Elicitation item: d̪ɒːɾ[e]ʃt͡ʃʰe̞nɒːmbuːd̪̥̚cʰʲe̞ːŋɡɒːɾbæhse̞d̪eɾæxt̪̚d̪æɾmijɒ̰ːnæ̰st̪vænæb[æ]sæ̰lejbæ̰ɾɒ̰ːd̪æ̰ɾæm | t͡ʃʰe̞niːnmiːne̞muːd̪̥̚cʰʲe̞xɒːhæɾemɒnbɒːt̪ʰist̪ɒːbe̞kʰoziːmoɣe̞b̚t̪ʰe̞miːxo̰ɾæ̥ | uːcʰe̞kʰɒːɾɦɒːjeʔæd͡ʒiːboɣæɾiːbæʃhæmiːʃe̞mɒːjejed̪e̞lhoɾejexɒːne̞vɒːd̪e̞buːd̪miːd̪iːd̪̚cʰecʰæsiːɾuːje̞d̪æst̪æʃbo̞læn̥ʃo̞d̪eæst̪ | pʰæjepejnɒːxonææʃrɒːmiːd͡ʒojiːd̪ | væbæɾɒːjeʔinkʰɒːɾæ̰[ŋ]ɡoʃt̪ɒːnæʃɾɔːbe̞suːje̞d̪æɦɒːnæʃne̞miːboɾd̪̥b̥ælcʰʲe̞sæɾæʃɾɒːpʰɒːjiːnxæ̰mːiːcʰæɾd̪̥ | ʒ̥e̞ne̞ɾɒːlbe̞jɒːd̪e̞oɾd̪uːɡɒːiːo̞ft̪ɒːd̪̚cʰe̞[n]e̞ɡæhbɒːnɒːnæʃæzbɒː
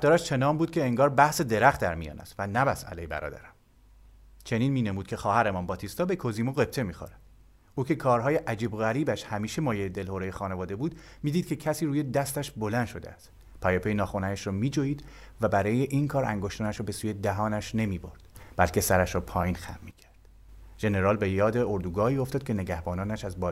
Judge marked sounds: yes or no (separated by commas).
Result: no, yes, yes, yes